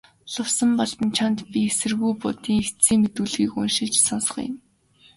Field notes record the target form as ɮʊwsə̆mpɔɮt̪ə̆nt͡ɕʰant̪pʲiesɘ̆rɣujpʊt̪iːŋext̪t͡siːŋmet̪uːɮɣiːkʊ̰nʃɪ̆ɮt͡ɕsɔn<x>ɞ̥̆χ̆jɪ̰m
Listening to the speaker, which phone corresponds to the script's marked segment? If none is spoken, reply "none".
s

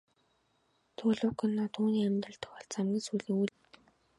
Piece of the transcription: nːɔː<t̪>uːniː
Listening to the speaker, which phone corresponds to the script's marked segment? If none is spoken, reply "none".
t̪ʰ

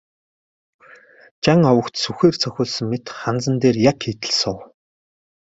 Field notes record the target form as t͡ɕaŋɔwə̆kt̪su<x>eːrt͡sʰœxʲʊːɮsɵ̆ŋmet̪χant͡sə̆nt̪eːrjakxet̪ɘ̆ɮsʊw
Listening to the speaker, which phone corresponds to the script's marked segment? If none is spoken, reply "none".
x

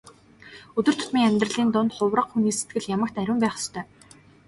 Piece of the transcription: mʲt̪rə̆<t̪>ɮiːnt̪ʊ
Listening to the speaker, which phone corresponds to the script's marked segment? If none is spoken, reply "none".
none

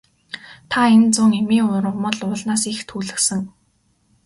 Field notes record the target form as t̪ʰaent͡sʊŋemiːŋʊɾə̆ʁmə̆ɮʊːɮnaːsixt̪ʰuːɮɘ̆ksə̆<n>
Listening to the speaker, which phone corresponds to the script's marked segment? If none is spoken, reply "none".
ŋ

